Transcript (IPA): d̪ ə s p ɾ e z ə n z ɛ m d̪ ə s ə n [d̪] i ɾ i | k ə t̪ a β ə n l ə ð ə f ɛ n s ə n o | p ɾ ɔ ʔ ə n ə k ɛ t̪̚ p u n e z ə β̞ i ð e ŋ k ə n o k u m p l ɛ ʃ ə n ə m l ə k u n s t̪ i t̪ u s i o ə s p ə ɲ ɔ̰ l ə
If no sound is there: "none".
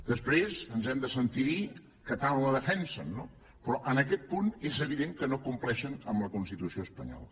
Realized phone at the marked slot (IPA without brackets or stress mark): t̪